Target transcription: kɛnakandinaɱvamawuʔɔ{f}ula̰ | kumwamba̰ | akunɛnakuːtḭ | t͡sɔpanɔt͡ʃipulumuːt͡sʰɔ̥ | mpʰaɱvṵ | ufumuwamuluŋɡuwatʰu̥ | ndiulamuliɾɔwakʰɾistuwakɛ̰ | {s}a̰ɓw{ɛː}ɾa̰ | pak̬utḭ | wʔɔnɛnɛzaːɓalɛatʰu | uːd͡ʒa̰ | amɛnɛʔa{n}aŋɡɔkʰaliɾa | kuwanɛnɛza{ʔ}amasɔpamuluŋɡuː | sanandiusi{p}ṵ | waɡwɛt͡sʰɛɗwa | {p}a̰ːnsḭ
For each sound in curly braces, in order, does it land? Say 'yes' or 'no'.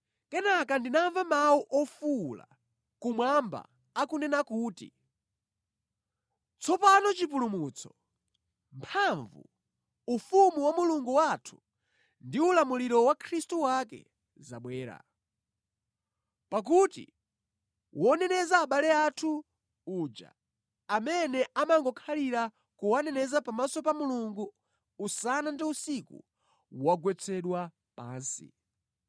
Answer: yes, no, yes, no, no, no, yes

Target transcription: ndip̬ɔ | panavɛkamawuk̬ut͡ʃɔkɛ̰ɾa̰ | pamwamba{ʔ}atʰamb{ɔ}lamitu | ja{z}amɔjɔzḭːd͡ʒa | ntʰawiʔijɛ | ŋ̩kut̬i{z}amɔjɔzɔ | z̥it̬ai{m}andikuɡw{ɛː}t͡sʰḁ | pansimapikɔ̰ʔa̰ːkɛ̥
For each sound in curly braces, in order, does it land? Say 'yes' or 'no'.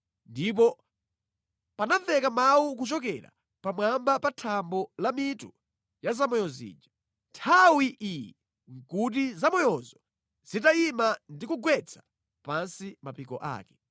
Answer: no, yes, yes, yes, yes, no

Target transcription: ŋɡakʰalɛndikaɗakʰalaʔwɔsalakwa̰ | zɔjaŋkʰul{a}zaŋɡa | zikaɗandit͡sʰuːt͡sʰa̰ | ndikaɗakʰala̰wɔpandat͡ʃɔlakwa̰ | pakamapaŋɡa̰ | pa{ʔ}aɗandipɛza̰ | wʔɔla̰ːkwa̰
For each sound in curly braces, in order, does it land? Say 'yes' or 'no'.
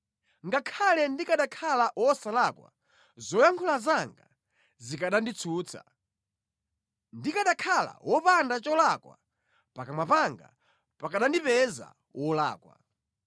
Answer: yes, no

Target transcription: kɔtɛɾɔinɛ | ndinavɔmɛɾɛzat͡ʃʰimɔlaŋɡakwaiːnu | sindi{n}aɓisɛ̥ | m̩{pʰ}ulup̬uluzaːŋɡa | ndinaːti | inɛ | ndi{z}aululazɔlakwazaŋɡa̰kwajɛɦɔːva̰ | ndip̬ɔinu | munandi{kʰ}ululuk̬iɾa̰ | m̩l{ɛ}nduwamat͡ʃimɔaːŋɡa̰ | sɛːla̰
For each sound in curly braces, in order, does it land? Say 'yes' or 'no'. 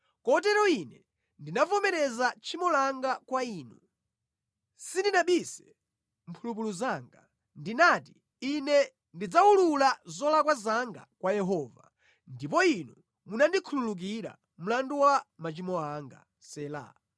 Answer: yes, yes, no, yes, no

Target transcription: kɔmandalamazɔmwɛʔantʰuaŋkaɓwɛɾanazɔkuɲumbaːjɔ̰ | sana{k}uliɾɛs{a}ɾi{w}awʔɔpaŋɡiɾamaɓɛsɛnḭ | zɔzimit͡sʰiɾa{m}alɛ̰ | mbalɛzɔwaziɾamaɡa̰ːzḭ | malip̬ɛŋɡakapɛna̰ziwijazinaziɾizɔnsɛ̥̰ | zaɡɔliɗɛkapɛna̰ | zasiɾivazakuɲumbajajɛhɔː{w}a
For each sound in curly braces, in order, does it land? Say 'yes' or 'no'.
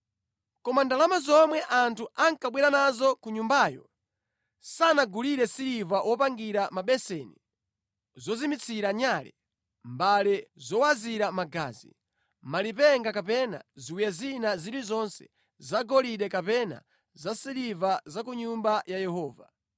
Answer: no, no, no, no, no

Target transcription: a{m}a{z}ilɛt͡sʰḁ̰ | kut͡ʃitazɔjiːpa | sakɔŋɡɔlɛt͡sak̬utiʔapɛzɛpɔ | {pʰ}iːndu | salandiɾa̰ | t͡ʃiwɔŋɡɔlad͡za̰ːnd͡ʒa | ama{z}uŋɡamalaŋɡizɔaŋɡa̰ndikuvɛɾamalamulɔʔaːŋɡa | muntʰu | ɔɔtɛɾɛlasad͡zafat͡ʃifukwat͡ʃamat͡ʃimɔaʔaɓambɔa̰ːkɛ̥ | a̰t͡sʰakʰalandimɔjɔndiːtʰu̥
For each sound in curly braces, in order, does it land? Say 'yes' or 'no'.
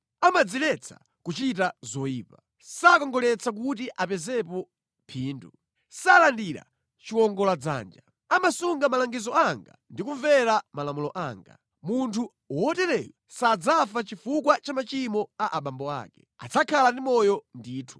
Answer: yes, no, yes, no

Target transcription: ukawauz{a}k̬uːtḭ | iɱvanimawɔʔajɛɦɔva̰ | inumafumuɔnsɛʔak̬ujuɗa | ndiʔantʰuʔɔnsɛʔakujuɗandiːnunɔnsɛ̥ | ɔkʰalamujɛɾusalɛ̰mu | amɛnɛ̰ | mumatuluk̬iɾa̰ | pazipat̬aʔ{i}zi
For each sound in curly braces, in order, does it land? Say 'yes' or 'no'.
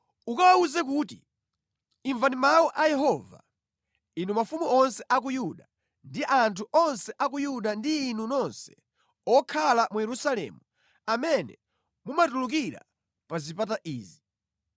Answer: no, no

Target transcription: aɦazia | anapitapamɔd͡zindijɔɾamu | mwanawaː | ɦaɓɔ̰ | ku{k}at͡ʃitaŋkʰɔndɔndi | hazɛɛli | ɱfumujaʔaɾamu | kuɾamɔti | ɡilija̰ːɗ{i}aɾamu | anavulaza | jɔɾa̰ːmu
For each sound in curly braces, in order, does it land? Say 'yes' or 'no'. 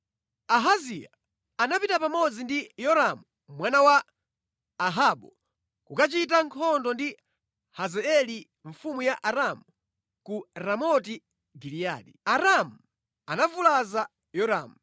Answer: yes, yes

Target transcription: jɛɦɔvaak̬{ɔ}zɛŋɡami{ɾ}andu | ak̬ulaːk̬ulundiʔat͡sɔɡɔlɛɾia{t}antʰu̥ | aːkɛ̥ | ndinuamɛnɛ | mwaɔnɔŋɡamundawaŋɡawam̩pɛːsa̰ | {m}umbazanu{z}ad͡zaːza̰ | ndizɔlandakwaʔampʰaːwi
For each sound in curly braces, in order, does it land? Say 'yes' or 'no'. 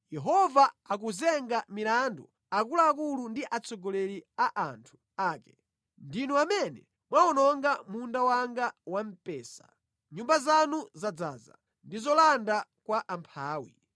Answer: no, no, no, no, yes

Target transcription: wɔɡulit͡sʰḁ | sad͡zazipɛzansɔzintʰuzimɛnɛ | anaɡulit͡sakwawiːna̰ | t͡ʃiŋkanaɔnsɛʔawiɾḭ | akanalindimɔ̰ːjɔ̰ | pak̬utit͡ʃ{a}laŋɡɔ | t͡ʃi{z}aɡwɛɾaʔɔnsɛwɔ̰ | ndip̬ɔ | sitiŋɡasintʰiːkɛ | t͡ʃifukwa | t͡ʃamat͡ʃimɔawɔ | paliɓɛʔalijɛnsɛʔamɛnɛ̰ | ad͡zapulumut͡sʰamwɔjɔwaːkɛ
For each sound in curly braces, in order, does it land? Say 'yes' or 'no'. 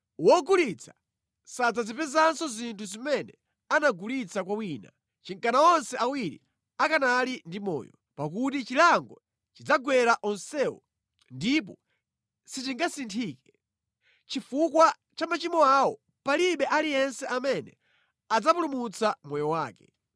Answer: no, no

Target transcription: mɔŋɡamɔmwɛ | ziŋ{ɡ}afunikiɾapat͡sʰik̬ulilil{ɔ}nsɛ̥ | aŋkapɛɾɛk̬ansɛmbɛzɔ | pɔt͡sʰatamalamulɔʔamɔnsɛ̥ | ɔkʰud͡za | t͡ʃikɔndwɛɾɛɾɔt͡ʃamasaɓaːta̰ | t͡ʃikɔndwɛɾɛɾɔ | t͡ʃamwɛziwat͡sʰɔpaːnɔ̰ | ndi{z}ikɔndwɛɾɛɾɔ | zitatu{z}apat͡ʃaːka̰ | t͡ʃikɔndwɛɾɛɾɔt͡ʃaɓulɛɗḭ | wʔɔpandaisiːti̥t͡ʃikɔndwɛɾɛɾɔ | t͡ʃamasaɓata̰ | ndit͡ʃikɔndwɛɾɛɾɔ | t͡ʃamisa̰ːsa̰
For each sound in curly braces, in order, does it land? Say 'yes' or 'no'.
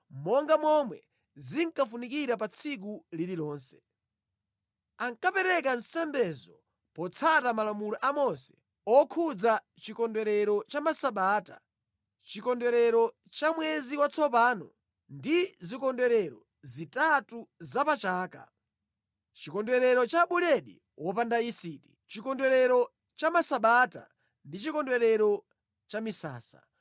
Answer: no, no, yes, yes

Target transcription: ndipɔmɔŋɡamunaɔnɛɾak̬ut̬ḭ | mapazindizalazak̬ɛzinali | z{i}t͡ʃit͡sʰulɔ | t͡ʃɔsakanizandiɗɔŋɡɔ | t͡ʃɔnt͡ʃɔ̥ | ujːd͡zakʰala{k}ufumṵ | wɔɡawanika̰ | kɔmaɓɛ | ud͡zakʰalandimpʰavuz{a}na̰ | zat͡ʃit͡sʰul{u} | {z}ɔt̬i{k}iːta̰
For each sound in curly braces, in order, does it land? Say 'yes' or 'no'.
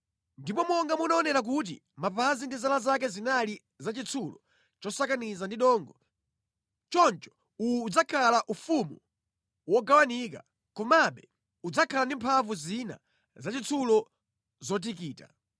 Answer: no, no, no, no, yes, yes

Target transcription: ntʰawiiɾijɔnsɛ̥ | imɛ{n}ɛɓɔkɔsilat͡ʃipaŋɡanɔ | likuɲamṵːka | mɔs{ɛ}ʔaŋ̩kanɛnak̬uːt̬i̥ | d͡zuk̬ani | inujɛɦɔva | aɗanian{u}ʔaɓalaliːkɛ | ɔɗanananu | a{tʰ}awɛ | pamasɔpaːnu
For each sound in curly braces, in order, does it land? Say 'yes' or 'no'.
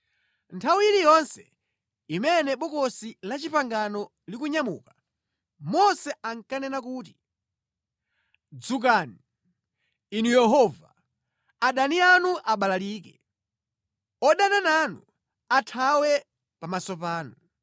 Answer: yes, yes, yes, yes

